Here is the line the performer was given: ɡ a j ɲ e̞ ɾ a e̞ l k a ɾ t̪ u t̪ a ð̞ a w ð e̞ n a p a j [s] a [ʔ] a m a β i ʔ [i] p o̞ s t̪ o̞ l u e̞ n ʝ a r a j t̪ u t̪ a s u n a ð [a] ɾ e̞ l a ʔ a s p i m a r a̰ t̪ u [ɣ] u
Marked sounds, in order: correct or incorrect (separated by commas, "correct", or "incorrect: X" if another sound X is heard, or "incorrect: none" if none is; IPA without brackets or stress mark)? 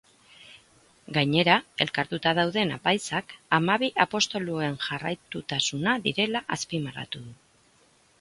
correct, incorrect: k, incorrect: a, incorrect: i, incorrect: ð